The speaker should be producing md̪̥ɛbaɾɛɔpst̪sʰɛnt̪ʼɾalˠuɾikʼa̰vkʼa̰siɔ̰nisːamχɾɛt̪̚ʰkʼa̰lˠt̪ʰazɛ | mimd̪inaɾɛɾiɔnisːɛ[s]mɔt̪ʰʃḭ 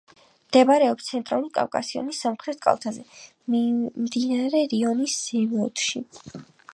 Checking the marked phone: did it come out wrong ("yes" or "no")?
yes